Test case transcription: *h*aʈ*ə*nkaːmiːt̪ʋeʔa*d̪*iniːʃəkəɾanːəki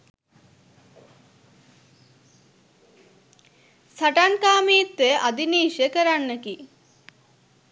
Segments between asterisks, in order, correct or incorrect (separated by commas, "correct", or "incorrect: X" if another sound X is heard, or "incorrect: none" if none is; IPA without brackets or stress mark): incorrect: s, incorrect: a, correct